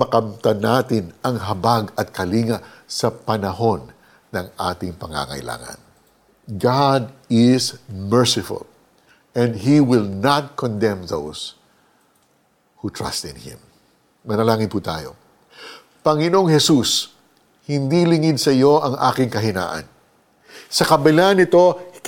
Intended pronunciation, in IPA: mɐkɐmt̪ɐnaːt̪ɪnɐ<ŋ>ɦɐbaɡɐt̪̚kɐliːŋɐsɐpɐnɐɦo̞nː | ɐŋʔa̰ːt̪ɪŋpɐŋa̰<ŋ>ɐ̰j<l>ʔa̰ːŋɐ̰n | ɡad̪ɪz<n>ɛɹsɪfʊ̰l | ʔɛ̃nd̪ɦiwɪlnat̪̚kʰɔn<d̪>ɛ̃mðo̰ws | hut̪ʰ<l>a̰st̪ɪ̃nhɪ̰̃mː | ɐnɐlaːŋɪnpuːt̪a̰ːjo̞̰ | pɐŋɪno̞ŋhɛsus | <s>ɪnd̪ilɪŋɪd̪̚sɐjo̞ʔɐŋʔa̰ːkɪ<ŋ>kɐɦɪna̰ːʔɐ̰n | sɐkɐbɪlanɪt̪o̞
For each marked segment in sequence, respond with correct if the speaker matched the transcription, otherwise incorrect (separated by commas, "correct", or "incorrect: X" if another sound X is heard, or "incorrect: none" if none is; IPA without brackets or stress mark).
correct, correct, correct, incorrect: m, correct, incorrect: ɹ, incorrect: h, correct